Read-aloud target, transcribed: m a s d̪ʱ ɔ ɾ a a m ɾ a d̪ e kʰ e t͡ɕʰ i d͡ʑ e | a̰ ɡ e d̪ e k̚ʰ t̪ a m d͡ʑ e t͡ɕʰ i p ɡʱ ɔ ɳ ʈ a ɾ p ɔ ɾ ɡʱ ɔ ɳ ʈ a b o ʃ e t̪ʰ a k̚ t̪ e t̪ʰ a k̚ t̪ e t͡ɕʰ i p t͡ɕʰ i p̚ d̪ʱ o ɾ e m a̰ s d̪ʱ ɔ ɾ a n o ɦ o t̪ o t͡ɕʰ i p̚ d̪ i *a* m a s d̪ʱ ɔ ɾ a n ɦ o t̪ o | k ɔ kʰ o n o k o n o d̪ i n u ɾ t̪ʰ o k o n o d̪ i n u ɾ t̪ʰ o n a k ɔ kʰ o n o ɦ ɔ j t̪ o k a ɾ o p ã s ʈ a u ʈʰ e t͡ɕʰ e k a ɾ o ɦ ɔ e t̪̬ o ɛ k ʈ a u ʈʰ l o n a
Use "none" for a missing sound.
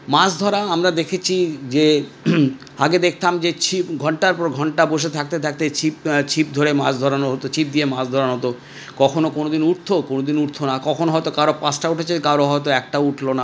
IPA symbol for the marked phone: e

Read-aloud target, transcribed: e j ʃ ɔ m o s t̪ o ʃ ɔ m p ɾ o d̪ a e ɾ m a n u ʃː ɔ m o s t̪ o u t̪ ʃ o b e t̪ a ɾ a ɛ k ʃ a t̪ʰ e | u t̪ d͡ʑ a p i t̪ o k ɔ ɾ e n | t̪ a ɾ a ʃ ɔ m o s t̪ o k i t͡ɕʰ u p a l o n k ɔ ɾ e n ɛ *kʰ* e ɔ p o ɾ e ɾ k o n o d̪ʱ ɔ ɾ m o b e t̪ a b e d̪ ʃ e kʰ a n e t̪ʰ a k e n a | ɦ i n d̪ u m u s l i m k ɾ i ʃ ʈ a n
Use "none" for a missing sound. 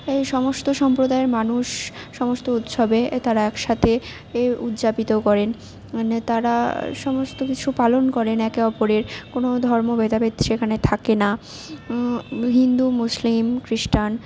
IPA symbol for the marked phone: k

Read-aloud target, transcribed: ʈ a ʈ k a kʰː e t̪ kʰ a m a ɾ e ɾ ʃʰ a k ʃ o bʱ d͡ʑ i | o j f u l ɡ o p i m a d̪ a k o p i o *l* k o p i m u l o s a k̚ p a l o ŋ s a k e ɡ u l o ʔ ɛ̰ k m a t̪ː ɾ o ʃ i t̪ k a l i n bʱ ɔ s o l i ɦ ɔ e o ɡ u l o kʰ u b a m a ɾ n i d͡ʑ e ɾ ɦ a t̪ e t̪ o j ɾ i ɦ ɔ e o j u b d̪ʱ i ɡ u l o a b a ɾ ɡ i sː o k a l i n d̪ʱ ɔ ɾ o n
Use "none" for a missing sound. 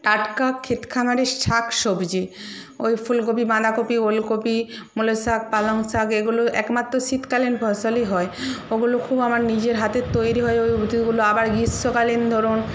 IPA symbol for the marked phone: l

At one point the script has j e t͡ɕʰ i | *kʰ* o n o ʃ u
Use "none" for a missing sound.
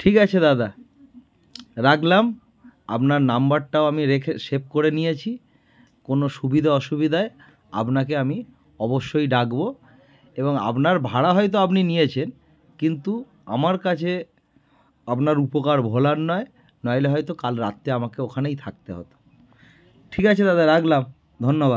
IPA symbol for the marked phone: k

